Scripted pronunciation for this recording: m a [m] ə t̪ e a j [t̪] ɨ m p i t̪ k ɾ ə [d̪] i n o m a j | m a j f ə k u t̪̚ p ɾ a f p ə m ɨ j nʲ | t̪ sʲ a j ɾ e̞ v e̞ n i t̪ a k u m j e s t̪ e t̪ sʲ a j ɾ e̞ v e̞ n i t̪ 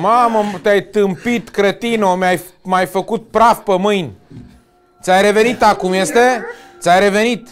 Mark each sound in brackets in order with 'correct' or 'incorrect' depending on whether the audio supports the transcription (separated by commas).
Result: correct, correct, incorrect